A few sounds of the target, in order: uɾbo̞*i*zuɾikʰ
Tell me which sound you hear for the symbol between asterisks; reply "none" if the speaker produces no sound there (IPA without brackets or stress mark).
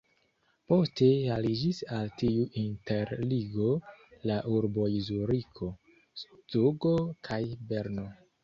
i